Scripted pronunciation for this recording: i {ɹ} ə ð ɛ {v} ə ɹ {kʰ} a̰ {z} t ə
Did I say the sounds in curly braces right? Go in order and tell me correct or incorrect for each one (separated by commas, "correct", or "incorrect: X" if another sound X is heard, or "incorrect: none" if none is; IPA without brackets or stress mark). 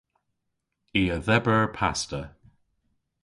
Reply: incorrect: none, incorrect: b, incorrect: pʰ, incorrect: s